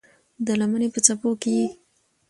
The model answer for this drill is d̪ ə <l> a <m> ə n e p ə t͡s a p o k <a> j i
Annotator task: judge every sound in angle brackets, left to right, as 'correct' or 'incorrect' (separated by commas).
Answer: correct, correct, incorrect